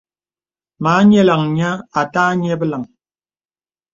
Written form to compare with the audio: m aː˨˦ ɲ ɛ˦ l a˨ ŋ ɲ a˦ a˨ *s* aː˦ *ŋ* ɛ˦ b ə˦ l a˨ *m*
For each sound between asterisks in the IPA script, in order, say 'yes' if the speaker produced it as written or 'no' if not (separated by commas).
no, no, no